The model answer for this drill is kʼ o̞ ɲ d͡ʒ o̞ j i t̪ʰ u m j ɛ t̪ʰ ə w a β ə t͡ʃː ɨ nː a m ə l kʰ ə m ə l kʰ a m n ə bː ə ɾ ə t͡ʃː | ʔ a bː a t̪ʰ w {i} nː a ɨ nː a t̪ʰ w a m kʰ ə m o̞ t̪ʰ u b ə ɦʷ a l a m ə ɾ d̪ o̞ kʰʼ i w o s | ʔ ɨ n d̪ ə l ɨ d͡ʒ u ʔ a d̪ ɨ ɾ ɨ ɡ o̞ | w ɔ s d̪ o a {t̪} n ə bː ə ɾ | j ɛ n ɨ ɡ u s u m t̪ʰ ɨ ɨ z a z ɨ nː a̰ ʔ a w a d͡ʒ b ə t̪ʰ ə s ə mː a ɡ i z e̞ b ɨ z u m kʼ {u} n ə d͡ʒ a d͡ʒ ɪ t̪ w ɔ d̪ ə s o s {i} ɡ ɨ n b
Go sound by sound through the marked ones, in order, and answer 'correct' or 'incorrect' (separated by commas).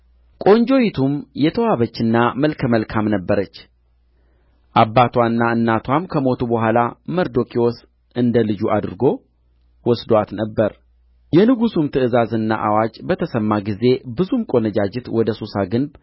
incorrect, correct, incorrect, incorrect